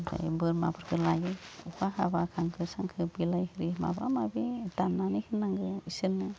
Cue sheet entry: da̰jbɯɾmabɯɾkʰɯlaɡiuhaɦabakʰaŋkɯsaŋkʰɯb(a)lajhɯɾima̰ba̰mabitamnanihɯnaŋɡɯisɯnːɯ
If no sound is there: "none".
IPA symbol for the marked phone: i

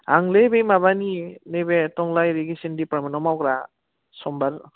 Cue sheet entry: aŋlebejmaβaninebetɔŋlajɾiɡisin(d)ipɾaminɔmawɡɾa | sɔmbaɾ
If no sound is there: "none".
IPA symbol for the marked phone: d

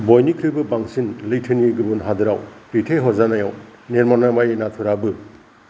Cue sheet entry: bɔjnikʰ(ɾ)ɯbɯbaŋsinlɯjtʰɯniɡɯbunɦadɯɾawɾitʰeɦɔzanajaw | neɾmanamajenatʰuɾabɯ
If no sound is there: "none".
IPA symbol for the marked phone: ɾ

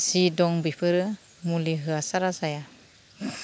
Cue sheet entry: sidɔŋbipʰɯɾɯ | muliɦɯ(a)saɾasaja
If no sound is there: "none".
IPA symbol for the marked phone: a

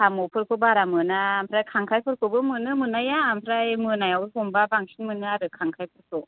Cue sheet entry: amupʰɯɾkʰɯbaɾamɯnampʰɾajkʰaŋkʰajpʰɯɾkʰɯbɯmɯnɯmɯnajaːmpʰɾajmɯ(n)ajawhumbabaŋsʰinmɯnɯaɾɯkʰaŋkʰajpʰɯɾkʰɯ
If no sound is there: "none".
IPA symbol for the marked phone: n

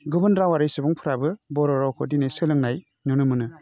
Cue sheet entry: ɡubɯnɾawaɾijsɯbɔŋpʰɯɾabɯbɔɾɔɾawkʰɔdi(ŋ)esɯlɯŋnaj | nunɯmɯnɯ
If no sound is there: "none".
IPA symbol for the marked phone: n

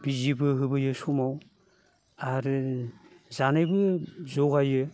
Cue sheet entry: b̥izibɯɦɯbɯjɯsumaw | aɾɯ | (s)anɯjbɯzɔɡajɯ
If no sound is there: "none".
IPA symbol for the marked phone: z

